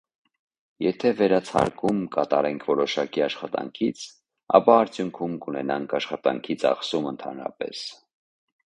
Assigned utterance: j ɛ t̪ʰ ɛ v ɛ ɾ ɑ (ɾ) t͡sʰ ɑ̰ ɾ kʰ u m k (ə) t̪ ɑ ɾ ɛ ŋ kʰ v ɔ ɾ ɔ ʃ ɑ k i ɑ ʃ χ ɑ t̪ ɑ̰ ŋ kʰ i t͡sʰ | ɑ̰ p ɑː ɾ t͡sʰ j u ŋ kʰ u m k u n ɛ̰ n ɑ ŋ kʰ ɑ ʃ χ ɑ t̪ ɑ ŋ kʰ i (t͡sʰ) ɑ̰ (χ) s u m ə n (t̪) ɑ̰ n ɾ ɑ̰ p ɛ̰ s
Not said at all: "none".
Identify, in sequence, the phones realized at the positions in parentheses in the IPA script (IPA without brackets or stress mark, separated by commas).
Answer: none, ɑ, t͡sʰ, χ, t̪ʰ